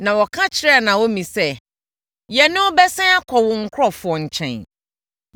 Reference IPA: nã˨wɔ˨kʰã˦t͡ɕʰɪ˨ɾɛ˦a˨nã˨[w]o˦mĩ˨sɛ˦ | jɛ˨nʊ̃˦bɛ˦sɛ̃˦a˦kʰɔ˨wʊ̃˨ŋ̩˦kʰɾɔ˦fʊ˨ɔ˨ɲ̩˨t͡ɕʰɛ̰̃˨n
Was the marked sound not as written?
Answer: no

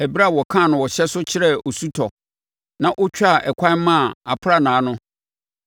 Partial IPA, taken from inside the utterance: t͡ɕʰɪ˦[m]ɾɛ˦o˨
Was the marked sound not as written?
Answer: yes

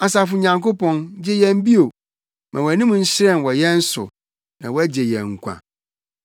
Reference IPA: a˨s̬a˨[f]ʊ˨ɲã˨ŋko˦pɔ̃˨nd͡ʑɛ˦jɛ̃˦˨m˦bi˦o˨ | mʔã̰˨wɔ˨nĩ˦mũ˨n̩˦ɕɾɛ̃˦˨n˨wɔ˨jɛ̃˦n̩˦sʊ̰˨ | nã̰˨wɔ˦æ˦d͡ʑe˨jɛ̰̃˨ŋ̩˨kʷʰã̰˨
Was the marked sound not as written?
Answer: no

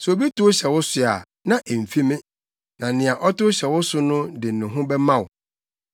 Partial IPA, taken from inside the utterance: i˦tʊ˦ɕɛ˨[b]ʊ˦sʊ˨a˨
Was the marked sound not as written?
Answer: yes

